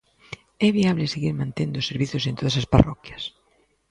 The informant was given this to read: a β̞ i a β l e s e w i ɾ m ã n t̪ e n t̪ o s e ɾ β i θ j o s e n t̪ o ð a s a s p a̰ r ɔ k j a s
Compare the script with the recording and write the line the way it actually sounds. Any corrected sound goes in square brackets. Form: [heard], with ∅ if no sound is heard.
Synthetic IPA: [ɛ] β̞ i a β l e s e [ɣ] i ɾ m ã n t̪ e n [d̪] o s e ɾ β i θ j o s e n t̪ o ð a s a s p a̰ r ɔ k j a s

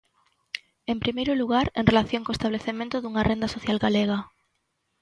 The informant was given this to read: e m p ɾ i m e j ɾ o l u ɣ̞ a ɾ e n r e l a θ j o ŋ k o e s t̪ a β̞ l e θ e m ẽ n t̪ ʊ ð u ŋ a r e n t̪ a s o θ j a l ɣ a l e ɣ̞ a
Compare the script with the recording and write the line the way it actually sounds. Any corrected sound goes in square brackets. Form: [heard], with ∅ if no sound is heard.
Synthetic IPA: e m p ɾ i m e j ɾ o l u ɣ̞ a ɾ e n r e l a θ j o ŋ k o e s t̪ a β̞ l e θ e m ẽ n t̪ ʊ ð u ŋ a r e n [d̪] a s o θ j a l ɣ a l e ɣ̞ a

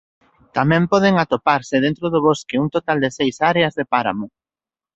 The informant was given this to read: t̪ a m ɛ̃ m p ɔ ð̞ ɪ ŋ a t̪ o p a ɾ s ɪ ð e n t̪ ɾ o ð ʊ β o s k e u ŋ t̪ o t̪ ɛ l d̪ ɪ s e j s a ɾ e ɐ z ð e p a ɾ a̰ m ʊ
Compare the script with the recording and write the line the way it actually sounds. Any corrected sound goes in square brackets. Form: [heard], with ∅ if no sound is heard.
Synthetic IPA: t̪ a m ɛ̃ m p ɔ ð̞ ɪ ŋ a t̪ o p a ɾ s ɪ ð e n t̪ ɾ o ð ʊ β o s k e u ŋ t̪ o t̪ [a] l d̪ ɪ s e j s a ɾ e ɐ z ð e p a ɾ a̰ m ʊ

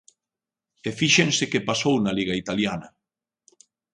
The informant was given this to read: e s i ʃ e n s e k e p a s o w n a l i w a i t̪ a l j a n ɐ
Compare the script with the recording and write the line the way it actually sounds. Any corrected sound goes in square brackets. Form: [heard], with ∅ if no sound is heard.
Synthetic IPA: e [f] i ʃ e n s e k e p a s o w n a l i [ɣ] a i t̪ a l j a n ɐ

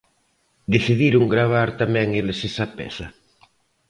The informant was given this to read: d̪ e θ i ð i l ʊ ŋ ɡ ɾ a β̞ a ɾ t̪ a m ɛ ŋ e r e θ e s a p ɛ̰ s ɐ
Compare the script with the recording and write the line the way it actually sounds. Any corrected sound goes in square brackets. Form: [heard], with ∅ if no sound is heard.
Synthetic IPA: d̪ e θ i ð i [ɾ] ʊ ŋ ɡ ɾ a β̞ a ɾ t̪ a m ɛ ŋ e [l] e [s] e s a p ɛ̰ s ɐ

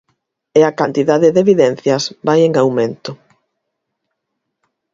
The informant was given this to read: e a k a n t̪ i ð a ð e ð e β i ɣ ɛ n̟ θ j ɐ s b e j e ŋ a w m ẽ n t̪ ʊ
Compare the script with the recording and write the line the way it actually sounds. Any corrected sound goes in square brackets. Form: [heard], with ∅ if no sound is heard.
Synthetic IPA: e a k a n t̪ i ð a ð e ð e β i [ð] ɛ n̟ θ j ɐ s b [a] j e ŋ a w m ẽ n t̪ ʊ

